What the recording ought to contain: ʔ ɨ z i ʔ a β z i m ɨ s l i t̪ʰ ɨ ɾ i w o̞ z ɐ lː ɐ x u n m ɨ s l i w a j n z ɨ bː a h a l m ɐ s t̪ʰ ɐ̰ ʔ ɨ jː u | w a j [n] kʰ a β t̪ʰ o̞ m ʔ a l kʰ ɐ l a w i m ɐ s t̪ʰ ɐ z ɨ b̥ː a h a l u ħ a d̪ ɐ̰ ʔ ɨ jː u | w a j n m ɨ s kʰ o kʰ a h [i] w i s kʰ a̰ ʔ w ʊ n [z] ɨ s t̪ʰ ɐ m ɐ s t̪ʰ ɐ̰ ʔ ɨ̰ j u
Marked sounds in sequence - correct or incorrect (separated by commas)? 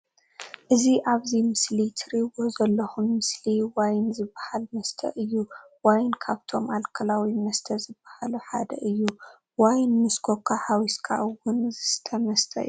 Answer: correct, incorrect, correct